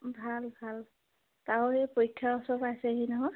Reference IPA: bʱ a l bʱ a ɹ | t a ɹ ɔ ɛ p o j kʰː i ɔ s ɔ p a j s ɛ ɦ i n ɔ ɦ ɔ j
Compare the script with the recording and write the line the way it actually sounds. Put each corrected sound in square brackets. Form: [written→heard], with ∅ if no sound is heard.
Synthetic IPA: bʱ a l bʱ a [ɹ→l] | t a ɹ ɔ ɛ p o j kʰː [i→a] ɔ s ɔ p a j s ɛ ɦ i n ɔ ɦ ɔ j